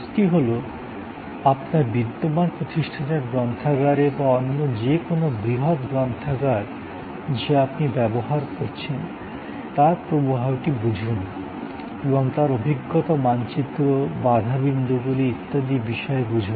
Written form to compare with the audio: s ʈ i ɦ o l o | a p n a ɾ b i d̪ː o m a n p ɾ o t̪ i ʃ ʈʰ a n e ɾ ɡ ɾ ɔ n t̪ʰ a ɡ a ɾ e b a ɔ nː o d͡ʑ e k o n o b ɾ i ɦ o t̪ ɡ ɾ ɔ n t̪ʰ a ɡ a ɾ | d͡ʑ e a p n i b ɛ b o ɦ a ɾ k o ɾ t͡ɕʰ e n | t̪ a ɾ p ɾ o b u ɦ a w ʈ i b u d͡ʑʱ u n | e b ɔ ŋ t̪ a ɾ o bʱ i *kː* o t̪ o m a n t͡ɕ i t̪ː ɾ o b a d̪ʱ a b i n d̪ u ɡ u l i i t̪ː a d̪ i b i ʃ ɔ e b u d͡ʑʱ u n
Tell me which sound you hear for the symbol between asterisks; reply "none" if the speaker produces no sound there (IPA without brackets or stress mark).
ɡː